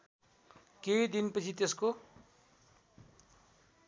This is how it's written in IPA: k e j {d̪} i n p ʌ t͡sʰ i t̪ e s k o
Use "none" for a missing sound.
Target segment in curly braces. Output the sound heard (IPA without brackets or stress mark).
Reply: d̪